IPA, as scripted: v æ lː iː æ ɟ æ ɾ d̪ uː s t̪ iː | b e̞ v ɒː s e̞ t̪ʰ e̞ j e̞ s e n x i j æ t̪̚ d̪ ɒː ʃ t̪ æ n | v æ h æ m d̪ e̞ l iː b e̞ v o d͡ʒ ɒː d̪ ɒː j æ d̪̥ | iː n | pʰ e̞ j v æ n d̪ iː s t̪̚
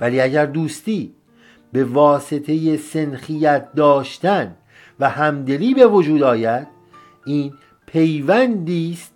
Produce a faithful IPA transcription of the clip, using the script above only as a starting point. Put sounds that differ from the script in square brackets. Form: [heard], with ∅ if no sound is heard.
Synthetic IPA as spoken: v æ [l] iː æ ɟ æ ɾ d̪ uː s t̪ iː | b e̞ v ɒː s e̞ t̪ʰ e̞ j e̞ s e n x i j æ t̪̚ d̪ ɒː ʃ t̪ æ n | v æ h æ m d̪ e̞ l iː b e̞ v o d͡ʒ [uː] d̪ ɒː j æ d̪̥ | iː n | pʰ e̞ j v æ n d̪ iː s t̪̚